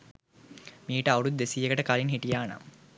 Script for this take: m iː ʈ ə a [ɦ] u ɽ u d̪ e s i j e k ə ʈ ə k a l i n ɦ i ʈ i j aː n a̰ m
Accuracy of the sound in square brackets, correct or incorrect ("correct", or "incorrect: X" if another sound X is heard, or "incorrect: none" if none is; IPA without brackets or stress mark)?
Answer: incorrect: none